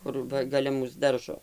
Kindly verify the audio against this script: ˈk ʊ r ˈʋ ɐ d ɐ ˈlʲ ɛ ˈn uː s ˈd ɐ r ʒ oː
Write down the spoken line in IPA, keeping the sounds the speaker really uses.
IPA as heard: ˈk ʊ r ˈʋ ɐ ɡ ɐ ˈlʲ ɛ ˈm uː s ˈd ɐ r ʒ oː